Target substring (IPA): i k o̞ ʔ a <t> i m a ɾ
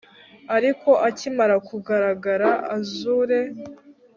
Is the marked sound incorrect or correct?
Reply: incorrect